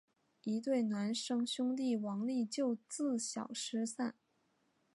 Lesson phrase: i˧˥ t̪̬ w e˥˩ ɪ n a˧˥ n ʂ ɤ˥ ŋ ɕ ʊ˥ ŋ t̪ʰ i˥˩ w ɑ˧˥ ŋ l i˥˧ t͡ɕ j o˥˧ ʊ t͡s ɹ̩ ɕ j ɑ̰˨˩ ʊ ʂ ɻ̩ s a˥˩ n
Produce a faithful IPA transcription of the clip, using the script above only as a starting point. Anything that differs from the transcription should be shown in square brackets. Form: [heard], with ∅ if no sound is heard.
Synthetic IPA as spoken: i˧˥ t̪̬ w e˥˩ ɪ n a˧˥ n ʂ ɤ˥ ŋ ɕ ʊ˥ ŋ [t̪] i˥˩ w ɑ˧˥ ŋ l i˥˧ t͡ɕ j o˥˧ ʊ t͡s ɹ̩ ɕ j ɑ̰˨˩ ʊ ʂ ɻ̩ s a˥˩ n